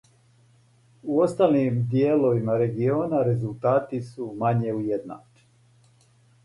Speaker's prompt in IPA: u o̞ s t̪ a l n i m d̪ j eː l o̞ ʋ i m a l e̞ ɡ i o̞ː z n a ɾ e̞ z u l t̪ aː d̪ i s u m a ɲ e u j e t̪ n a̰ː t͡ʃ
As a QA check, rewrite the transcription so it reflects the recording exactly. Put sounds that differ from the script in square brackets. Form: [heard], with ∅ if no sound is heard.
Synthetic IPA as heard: u o̞ s t̪ a l n i m d̪ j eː l o̞ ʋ i m a [ɾ] e̞ ɡ i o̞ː [∅] n a ɾ e̞ z u l t̪ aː [t̪] i s u m a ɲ e u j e [d̪] n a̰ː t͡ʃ